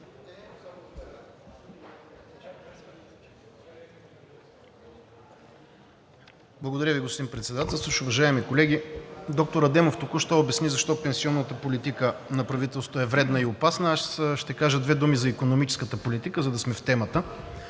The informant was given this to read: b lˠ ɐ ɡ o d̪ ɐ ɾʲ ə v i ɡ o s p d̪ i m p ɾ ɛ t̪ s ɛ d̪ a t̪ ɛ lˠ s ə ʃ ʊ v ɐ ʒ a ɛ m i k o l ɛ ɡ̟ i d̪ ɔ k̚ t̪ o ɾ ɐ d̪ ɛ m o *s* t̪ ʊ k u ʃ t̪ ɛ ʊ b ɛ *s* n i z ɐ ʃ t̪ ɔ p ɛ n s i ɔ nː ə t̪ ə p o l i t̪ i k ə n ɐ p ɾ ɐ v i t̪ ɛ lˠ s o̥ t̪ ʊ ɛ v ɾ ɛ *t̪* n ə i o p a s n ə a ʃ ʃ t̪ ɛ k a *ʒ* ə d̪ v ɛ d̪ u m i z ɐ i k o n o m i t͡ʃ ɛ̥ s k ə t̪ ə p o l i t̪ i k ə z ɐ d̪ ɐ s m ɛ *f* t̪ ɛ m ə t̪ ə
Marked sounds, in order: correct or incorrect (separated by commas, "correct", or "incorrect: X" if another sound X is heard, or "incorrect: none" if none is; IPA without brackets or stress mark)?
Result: incorrect: f, correct, incorrect: d̪, correct, correct